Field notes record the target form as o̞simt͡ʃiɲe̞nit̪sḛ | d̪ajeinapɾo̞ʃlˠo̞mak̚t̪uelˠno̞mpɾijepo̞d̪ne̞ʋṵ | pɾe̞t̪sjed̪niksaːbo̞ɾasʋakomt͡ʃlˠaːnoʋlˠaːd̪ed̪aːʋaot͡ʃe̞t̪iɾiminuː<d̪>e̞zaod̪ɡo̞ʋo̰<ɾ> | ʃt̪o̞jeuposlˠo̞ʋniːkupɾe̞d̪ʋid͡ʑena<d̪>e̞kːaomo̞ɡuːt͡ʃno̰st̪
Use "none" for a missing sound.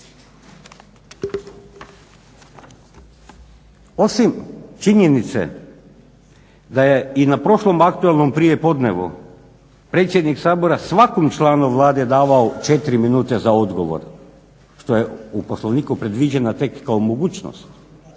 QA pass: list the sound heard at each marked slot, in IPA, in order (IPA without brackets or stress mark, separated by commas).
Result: t̪, ɾ, t̪